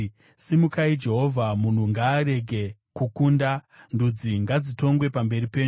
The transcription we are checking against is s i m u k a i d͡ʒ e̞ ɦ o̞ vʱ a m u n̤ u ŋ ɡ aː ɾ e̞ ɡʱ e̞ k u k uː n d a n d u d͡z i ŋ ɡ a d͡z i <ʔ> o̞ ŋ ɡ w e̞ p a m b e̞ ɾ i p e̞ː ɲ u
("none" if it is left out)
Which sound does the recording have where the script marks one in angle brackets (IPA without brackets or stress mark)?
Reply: t